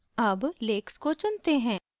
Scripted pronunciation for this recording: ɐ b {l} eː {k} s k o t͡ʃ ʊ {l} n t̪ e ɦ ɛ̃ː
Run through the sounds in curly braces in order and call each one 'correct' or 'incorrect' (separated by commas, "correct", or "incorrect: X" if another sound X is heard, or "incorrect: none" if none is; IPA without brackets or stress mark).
correct, correct, incorrect: none